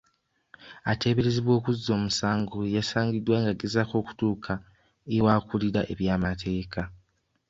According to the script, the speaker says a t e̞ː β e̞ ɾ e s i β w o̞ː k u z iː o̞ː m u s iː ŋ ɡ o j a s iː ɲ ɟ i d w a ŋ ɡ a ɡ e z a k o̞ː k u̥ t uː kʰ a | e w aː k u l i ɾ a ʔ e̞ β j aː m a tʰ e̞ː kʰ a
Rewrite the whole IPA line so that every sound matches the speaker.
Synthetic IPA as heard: a t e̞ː β e̞ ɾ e z i β w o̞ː k u z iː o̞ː m u s aː ŋ ɡ o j a s aː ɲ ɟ i d w a ŋ ɡ a ɡ e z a k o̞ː k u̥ t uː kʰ a | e w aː k u l i ɾ a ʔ e̞ β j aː m a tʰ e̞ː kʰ a